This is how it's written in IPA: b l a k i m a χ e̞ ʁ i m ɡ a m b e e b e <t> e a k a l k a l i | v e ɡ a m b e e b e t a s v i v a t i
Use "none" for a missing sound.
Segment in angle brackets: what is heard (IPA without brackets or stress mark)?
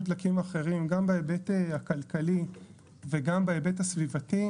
t